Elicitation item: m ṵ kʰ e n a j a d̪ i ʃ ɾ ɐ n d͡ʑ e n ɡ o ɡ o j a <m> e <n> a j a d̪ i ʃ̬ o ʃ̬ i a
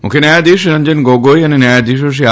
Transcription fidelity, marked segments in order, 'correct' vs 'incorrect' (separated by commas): incorrect, correct